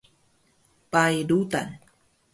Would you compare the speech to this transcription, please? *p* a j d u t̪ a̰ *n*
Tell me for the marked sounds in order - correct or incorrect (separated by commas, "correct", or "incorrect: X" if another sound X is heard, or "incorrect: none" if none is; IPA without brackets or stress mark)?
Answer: correct, correct